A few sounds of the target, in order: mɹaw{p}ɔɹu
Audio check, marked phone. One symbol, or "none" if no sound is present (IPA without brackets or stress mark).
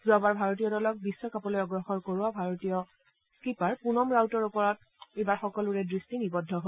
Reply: t